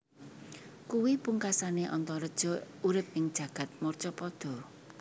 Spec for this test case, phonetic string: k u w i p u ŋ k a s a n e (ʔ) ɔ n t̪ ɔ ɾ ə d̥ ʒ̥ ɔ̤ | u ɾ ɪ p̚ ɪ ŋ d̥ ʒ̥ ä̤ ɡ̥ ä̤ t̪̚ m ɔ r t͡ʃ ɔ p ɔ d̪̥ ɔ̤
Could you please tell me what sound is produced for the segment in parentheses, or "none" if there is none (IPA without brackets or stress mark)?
ʔ